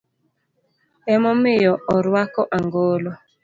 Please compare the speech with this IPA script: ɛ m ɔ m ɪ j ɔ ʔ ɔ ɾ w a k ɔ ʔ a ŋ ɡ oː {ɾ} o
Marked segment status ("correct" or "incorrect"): incorrect